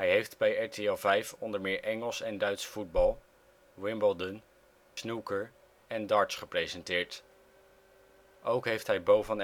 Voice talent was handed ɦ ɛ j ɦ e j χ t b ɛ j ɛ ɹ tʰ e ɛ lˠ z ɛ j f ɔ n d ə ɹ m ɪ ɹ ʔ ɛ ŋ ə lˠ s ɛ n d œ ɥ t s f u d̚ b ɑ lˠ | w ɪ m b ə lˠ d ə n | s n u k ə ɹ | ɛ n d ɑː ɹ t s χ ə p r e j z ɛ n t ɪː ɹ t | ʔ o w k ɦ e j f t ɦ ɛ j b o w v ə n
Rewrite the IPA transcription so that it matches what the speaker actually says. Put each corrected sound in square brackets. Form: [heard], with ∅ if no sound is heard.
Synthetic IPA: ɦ ɛ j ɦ e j [f] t b ɛ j ɛ ɹ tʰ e ɛ lˠ [v] ɛ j f ɔ n d ə ɹ m [ɪː] ɹ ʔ ɛ ŋ ə lˠ s ɛ n d œ ɥ t s f u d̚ b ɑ lˠ | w ɪ m b ə lˠ d ə n | s n u k ə ɹ | ɛ n d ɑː ɹ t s χ ə p r e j z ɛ n t ɪː ɹ t | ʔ o w k ɦ e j f t ɦ ɛ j b o w v ə n